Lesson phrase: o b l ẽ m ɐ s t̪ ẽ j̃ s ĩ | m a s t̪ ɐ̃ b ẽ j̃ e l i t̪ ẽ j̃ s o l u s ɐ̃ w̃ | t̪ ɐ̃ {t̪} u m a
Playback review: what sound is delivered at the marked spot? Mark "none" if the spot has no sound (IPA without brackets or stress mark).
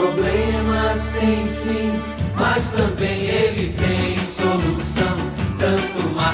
t̪